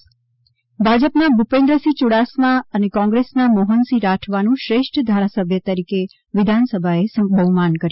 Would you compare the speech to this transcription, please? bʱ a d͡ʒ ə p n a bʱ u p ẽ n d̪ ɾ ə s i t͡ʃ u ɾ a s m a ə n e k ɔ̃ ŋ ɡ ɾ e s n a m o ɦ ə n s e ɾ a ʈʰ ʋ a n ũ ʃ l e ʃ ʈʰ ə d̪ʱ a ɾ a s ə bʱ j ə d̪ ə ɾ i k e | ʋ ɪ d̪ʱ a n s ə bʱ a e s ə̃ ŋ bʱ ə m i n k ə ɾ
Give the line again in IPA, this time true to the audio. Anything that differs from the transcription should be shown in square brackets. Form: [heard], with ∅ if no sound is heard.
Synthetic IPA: bʱ a d͡ʒ ə p n a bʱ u p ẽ n d̪ ɾ ə s i t͡ʃ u [ɽ] a s m a ə n e k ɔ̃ ŋ ɡ ɾ e s n a m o ɦ ə n s [i] ɾ a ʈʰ ʋ a n ũ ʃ [ɾ] e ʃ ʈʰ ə d̪ʱ a ɾ a s ə bʱ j ə [t̪] ə ɾ i k e | ʋ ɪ d̪ʱ a n s ə bʱ a e s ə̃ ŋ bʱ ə m [a] n k ə ɾ